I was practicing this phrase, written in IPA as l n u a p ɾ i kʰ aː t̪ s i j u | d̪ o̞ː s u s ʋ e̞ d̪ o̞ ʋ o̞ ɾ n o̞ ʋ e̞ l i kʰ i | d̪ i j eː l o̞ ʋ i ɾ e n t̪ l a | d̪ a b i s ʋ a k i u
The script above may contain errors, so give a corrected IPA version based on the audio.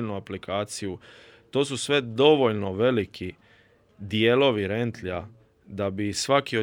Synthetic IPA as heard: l n u a p l i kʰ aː t̪ s i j u | t̪ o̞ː s u s ʋ e̞ d̪ o̞ ʋ o̞ ʎ n o̞ ʋ e̞ l i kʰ i | d̪ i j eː l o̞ ʋ i ɾ e n t̪ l a | d̪ a b i s ʋ a k i o